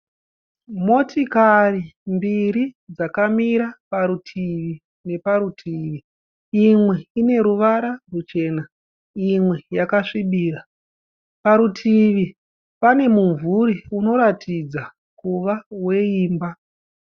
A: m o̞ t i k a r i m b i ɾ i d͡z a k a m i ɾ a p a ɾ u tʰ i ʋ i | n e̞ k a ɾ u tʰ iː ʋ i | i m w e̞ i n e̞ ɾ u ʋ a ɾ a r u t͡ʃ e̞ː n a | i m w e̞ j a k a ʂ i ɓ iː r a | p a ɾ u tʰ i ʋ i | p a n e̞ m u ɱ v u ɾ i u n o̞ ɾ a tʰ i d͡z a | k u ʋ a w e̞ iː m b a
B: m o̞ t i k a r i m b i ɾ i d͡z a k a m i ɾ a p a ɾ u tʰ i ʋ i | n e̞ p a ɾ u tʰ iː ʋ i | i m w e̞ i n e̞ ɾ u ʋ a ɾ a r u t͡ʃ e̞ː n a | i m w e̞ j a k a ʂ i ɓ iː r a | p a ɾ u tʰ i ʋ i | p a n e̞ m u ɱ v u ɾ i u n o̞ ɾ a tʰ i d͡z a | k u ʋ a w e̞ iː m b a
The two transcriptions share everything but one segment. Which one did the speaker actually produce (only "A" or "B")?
B